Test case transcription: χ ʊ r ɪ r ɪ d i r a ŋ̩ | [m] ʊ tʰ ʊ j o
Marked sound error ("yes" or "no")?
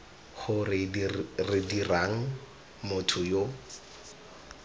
no